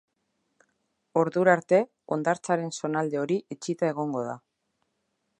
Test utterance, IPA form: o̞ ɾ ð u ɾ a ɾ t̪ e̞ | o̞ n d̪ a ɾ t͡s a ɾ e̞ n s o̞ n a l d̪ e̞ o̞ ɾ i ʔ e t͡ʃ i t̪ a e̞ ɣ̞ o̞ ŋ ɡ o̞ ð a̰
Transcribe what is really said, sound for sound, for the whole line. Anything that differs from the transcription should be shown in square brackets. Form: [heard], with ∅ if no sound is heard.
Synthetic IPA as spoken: o̞ ɾ ð u ɾ a ɾ t̪ e̞ | o̞ n d̪ a ɾ t͡s a ɾ e̞ n s o̞ n a l d̪ e̞ o̞ ɾ i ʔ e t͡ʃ i t̪ a e̞ ɣ̞ o̞ ŋ ɡ o̞ ð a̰